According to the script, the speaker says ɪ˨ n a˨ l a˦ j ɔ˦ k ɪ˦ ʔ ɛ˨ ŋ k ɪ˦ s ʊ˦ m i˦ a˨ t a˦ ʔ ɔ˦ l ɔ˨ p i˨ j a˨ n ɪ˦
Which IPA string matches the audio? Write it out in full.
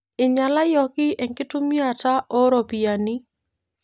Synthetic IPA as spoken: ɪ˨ ɲ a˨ l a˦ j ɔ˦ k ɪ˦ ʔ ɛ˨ ŋ k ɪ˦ t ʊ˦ m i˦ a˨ t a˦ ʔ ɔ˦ ɾ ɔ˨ p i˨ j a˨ n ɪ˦